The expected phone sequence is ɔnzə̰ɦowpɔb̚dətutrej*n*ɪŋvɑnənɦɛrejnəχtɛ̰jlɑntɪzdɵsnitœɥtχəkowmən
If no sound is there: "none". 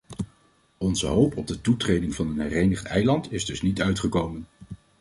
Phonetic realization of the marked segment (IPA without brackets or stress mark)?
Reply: d